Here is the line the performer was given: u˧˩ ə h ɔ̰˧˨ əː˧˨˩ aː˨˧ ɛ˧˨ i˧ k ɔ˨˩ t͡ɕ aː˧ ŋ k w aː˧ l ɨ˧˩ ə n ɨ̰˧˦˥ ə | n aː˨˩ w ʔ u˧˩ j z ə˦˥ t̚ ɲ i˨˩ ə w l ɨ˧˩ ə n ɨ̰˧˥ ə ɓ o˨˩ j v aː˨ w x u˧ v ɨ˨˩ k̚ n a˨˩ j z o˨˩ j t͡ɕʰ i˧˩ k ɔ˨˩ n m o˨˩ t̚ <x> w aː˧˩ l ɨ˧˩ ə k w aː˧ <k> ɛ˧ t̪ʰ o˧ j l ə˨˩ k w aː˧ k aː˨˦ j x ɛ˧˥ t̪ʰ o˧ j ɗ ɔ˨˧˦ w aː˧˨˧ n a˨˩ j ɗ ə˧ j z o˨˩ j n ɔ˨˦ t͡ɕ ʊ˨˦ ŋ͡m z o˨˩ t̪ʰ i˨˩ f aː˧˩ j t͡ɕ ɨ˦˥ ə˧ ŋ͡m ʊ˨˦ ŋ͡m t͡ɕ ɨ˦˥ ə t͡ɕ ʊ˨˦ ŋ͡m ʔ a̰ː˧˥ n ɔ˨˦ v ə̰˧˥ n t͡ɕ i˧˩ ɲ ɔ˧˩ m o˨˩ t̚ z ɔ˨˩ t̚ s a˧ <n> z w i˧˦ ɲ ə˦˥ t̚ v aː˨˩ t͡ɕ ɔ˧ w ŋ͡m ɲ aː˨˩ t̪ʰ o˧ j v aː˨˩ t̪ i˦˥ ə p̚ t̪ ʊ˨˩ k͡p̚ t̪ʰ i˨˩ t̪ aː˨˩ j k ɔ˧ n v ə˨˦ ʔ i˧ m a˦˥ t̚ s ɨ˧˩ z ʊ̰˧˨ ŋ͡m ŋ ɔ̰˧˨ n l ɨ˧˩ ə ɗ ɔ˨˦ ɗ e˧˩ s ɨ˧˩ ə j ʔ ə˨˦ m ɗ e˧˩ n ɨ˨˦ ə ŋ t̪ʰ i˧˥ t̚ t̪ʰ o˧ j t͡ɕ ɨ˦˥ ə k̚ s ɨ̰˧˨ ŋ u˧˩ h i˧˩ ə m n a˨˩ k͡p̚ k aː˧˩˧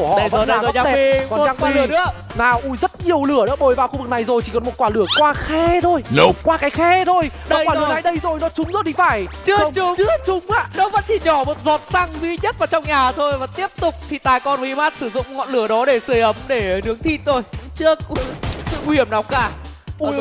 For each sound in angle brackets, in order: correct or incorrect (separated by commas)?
incorrect, incorrect, incorrect